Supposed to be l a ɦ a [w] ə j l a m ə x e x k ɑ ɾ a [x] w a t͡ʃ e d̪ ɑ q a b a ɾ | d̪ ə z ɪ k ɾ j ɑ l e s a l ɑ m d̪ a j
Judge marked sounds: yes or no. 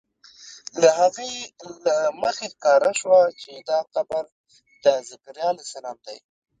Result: no, no

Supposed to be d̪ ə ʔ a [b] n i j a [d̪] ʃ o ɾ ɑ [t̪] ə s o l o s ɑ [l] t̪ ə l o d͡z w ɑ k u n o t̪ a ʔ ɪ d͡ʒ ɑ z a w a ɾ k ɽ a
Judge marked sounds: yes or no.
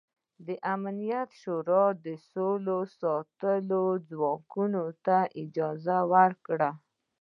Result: no, no, no, no

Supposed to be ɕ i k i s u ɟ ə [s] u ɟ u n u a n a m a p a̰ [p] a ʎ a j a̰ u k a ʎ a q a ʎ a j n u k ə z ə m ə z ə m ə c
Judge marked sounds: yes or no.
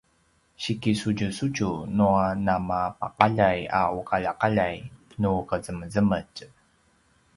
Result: yes, no

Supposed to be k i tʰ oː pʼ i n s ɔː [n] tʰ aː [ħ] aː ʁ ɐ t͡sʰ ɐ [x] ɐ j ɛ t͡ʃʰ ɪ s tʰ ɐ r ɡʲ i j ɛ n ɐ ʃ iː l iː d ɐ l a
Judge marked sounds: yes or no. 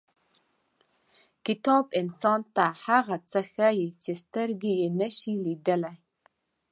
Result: yes, yes, yes

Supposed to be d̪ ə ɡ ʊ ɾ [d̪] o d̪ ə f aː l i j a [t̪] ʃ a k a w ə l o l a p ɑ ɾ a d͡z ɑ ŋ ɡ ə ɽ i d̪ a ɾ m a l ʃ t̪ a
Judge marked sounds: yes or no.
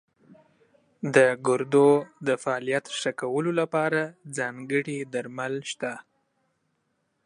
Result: yes, yes

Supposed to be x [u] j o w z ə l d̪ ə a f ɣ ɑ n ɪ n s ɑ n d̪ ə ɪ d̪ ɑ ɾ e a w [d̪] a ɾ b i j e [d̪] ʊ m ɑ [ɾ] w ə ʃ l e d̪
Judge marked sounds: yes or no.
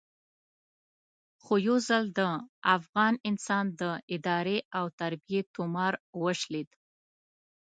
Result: no, no, no, yes

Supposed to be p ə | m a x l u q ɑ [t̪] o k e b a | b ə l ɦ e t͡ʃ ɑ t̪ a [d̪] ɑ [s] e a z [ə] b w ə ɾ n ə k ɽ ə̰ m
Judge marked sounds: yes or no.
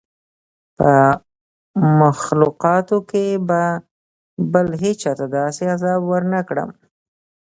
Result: yes, yes, yes, no

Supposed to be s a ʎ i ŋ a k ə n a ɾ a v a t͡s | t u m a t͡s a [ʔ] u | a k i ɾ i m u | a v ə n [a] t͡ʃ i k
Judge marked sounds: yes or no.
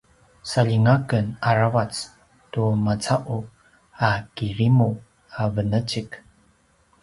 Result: yes, no

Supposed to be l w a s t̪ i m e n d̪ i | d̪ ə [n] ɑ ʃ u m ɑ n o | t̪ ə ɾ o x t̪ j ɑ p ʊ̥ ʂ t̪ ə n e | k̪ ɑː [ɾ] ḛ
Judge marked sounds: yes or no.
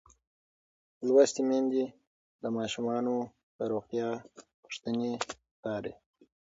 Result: no, yes

